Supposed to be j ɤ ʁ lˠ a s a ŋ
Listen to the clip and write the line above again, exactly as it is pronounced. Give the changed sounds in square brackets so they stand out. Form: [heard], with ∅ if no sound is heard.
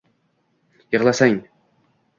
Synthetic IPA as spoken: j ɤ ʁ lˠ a s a ŋ